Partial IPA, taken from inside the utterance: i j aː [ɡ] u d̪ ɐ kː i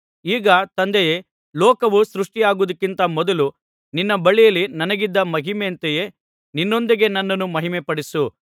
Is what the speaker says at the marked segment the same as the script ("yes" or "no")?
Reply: yes